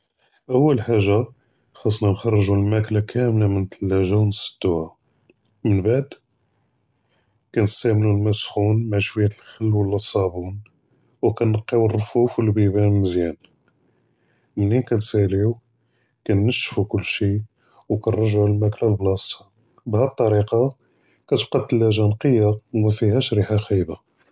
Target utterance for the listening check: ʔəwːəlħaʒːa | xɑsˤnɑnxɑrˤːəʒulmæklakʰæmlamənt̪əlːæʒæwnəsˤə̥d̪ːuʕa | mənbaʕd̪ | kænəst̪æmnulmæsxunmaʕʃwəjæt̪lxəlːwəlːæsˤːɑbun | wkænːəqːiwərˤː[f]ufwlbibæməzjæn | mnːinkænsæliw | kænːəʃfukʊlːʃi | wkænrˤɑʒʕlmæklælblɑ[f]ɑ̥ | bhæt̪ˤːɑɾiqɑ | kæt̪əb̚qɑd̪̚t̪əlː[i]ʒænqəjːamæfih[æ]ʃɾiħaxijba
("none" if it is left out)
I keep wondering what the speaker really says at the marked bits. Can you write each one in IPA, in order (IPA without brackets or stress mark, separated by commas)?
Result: f, s, æ, æ